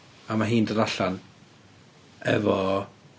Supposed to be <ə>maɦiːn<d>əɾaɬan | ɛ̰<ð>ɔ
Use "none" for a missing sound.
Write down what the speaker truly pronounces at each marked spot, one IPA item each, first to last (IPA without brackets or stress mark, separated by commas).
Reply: a, d, v